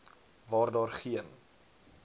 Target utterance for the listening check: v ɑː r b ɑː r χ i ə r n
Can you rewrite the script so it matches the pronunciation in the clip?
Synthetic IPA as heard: v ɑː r d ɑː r χ i ə n